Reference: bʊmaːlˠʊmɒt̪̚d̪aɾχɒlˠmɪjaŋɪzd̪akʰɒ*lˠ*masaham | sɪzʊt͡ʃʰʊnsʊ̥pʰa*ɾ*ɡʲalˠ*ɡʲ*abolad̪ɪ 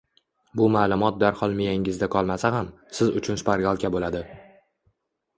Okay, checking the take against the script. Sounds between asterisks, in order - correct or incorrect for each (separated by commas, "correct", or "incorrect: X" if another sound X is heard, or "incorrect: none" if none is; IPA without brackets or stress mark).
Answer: correct, correct, incorrect: kʲ